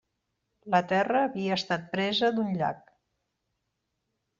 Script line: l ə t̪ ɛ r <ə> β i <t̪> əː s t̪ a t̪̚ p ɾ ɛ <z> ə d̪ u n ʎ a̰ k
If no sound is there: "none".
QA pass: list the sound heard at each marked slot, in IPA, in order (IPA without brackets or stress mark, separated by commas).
əː, none, z